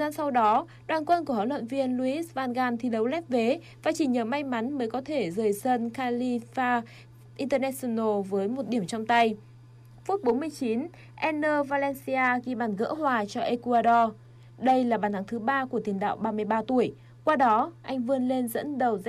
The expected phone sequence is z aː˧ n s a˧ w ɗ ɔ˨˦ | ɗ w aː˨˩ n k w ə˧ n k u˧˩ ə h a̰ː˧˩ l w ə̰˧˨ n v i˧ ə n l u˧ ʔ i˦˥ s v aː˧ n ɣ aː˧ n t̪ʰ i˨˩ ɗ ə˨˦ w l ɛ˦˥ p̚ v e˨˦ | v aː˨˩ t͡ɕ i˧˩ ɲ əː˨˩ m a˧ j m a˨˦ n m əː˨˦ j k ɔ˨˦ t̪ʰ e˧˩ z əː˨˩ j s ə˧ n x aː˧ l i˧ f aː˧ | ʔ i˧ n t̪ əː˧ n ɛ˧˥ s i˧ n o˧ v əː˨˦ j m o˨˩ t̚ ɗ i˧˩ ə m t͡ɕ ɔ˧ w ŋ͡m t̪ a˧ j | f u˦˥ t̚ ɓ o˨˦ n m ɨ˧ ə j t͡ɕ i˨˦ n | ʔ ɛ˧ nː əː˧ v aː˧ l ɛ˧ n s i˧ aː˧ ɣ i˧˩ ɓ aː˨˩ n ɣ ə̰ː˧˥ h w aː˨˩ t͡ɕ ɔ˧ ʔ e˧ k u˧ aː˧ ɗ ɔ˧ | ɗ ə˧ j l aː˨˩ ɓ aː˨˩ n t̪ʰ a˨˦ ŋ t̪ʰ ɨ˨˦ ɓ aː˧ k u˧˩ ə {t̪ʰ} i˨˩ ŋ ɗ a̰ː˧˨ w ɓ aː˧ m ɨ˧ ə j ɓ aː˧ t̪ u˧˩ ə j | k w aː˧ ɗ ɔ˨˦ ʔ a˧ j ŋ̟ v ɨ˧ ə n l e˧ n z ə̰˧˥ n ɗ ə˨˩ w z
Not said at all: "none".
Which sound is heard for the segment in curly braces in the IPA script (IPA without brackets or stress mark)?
t̪